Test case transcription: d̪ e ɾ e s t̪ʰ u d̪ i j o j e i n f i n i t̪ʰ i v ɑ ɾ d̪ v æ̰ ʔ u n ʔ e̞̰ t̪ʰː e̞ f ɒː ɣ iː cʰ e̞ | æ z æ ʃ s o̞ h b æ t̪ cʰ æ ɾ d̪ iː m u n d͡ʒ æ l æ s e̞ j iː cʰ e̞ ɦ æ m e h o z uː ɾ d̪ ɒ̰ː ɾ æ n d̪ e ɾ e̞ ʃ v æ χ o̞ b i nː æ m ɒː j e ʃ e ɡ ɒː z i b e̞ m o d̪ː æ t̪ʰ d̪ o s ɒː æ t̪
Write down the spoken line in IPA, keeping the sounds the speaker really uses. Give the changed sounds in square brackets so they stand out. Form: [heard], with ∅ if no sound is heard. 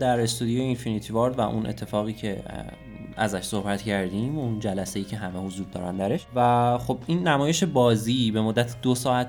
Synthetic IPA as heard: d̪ [æ] ɾ e s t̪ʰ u d̪ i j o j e i n f i n i t̪ʰ i v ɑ ɾ d̪ v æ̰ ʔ u n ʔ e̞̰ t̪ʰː e̞ f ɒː ɣ iː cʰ e̞ | æ z æ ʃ s o̞ h b æ t̪ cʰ æ ɾ d̪ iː m u n d͡ʒ æ l æ s e̞ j iː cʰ e̞ ɦ æ m e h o z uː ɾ d̪ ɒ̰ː ɾ æ n d̪ [æ] ɾ e̞ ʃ v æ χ o̞ b i nː æ m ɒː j e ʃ e [b] ɒː z i b e̞ m o d̪ː æ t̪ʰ d̪ o s ɒː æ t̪